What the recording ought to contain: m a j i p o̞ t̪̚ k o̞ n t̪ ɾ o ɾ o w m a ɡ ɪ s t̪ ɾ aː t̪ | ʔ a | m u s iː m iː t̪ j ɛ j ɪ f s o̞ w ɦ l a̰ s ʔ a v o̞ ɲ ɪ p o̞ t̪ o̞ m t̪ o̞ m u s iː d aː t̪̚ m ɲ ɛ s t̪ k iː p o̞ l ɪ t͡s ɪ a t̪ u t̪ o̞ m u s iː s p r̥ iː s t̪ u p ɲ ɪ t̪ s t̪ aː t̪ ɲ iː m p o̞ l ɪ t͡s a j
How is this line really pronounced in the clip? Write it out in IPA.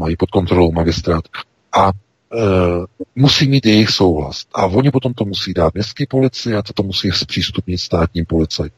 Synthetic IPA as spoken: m a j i p o̞ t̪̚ k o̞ n t̪ ɾ o l o w m a ɡ ɪ s t̪ ɾ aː t̪ | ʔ a | m u s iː m iː t̪ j ɛ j ɪ x s o̞ w ɦ l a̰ s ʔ a v o̞ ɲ ɪ p o̞ t̪ o̞ m t̪ o̞ m u s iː d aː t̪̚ m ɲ ɛ s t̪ k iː p o̞ l ɪ t͡s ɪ a t̪ o t̪ o̞ m u s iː s p r̥ iː s t̪ u p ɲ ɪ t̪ s t̪ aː t̪ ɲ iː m p o̞ l ɪ t͡s a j